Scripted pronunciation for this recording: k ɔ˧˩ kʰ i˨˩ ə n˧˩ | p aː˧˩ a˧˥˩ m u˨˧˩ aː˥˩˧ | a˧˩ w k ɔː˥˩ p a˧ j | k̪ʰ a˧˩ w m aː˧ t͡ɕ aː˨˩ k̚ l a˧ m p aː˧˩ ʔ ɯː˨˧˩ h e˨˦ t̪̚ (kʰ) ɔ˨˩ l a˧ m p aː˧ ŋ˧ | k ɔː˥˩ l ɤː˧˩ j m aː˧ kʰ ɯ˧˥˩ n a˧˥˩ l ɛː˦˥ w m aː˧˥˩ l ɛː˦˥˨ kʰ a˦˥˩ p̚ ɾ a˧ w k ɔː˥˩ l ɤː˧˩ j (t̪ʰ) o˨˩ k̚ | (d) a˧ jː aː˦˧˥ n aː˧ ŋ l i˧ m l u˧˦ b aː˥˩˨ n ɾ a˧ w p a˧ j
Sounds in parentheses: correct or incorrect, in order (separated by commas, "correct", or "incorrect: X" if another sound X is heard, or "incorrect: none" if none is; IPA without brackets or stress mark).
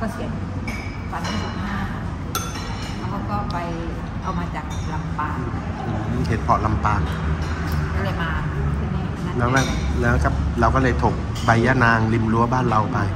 incorrect: pʰ, correct, incorrect: b